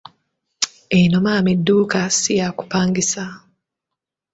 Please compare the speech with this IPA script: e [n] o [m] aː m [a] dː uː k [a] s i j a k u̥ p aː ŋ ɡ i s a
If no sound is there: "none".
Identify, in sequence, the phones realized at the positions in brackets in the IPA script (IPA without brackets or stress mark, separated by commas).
n, m, i, a